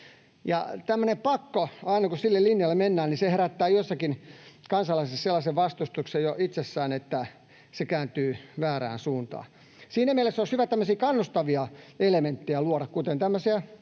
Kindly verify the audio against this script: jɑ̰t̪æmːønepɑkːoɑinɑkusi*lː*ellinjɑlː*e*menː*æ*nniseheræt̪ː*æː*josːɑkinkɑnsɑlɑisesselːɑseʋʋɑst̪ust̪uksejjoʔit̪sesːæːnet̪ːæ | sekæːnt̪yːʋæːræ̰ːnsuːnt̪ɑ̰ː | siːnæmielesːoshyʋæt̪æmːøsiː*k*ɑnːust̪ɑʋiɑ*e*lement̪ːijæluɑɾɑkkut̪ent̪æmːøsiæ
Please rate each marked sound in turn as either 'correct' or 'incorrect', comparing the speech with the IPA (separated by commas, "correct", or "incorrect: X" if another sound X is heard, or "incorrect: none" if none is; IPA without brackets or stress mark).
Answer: correct, correct, incorrect: æː, correct, correct, correct